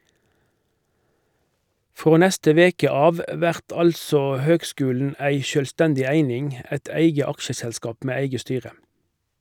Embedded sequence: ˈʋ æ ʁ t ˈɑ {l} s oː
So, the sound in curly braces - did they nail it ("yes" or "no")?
yes